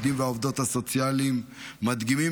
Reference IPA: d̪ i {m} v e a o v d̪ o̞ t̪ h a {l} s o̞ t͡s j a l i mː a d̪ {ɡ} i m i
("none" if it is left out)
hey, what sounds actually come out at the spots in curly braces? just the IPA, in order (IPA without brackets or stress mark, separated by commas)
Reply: m, none, ɡ